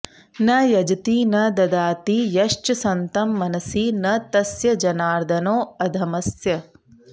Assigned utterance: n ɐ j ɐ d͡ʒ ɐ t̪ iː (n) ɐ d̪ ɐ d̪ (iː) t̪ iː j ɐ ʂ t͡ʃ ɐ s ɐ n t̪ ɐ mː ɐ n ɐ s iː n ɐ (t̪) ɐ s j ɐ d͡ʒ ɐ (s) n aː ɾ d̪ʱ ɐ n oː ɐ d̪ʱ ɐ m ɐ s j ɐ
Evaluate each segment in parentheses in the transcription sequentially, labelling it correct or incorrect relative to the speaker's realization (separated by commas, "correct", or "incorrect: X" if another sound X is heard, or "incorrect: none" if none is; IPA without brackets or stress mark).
correct, incorrect: aː, correct, incorrect: none